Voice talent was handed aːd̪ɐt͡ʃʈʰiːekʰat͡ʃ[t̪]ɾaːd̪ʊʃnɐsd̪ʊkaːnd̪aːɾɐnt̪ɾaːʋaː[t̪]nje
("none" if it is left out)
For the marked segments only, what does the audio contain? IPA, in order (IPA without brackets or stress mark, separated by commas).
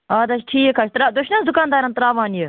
t̪, none